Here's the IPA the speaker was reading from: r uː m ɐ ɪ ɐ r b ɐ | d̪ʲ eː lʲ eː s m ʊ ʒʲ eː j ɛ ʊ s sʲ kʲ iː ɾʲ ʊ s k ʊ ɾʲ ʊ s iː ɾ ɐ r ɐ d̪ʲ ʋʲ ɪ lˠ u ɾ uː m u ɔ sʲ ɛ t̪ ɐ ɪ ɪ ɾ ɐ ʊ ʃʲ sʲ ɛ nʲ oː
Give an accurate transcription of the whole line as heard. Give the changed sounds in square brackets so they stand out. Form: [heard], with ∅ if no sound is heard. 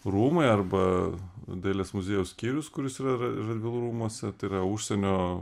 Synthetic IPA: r uː m ɐ ɪ ɐ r b ɐ | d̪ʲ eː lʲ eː s m ʊ [zʲ] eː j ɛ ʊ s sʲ kʲ iː ɾʲ ʊ s k ʊ ɾʲ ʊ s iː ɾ ɐ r ɐ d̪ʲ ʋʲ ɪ lˠ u ɾ uː m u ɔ sʲ ɛ t̪ ɐ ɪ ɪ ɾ ɐ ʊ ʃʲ sʲ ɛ nʲ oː